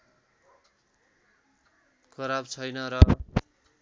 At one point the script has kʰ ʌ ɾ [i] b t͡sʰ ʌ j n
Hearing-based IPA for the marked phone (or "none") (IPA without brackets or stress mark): a